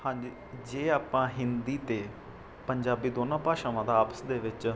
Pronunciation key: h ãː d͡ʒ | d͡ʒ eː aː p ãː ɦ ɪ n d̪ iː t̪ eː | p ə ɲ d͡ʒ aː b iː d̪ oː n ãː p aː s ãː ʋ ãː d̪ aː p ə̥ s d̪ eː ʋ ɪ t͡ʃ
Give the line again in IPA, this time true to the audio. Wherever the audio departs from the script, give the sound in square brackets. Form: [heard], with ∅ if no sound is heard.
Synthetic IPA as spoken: h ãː d͡ʒ | d͡ʒ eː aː p ãː ɦ ɪ n d̪ iː t̪ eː | p ə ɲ d͡ʒ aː b iː d̪ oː n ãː p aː [ʃ] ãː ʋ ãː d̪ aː p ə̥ s d̪ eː ʋ ɪ t͡ʃ